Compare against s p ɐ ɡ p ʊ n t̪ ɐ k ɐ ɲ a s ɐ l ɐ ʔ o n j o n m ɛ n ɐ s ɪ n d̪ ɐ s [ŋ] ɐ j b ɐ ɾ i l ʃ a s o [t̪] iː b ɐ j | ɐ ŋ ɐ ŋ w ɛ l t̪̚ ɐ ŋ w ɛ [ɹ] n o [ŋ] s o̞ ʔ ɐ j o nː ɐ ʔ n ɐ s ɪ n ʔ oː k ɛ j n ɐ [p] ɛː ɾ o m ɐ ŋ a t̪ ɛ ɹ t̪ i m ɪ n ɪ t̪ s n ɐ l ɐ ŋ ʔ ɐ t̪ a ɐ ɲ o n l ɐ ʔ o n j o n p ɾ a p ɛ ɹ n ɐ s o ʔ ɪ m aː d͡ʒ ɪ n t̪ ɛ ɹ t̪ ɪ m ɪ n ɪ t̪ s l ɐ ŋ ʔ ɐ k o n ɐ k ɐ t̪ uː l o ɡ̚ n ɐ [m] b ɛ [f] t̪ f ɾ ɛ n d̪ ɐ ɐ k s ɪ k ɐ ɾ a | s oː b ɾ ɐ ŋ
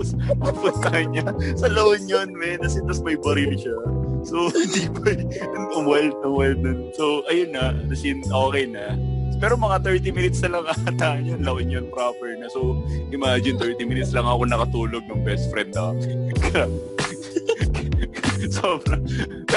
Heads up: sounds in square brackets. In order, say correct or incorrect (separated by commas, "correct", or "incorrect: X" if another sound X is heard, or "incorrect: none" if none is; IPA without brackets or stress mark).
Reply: incorrect: m, incorrect: d̪, incorrect: l, incorrect: n, correct, incorrect: ŋ, incorrect: s